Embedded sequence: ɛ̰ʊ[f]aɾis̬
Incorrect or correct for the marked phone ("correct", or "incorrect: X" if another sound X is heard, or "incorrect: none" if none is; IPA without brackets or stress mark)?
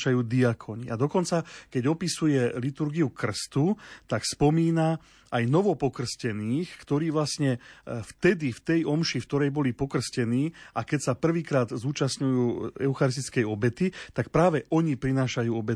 incorrect: x